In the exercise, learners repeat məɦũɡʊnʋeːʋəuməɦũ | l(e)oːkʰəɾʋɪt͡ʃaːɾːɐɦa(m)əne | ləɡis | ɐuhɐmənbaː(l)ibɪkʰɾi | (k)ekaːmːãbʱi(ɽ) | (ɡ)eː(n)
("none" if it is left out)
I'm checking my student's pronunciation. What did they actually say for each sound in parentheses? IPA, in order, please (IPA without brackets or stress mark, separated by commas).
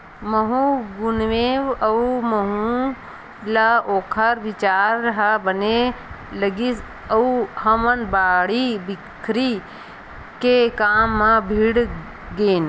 a, b, ɽ, k, ɽ, ɡ, n